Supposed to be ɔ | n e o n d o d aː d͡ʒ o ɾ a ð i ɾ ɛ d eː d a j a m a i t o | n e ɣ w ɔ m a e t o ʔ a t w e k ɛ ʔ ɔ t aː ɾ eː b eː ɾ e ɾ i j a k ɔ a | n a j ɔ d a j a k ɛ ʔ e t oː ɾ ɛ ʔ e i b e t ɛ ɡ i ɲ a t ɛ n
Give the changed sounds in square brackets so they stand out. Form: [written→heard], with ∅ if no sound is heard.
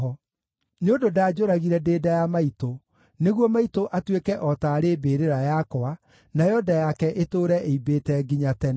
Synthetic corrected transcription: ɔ | n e o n d o d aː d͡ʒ o ɾ a [ð→ɣ] i ɾ ɛ d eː d a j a m a i t o | n e ɣ w ɔ m a [e→i] t o ʔ a t w e k ɛ ʔ ɔ t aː ɾ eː b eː ɾ e ɾ [i→a] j a k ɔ a | n a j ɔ d a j a k ɛ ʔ e t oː ɾ ɛ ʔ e i b e t ɛ ɡ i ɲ a t ɛ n